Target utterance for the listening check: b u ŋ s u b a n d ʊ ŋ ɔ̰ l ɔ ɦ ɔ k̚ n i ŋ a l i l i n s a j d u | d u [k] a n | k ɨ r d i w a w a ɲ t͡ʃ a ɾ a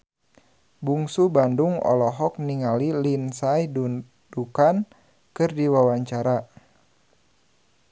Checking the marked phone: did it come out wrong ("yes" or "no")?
no